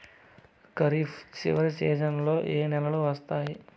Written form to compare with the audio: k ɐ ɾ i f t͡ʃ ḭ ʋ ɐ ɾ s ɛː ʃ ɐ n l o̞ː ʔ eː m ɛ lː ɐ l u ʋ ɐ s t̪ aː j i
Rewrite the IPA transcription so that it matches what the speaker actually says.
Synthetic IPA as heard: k ɐ ɾ i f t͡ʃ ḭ ʋ ɐ ɾ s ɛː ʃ ɐ n l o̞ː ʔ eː n ɛ l ɐ l u ʋ ɐ s t̪ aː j i